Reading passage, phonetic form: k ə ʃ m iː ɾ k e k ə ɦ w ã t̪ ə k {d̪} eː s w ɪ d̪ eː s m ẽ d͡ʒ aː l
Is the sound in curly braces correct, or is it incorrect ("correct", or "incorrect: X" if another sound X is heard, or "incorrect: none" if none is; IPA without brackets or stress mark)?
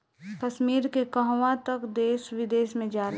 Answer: correct